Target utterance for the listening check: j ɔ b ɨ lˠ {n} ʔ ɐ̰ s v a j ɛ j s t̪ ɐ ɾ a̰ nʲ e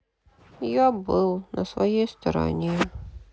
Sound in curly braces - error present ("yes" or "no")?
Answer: no